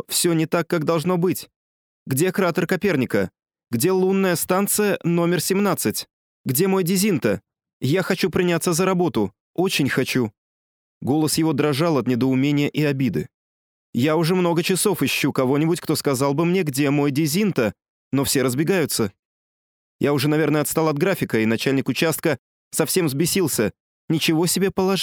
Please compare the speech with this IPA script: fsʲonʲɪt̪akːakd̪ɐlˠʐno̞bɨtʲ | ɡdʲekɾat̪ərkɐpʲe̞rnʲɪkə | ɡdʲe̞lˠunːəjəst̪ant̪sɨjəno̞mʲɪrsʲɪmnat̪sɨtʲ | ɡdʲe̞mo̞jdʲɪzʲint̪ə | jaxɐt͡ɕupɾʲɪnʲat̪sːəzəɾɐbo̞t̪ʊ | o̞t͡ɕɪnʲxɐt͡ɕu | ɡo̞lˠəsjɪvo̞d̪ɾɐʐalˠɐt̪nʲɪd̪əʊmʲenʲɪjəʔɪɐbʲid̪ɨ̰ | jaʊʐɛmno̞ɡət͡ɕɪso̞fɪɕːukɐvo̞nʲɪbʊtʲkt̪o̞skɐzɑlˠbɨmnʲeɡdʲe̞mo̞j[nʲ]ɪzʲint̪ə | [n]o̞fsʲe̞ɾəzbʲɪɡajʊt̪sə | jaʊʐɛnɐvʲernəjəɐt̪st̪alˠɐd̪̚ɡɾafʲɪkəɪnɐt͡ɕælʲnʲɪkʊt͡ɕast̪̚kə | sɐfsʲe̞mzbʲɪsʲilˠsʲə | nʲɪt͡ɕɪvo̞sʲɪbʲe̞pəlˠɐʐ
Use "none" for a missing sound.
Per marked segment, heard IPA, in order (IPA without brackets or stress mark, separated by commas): dʲ, n